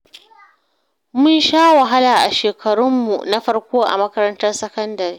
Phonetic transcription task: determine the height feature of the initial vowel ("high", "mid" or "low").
high